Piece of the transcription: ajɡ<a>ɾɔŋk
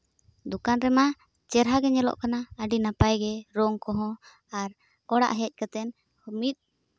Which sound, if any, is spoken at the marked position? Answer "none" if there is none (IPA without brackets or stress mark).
ɛ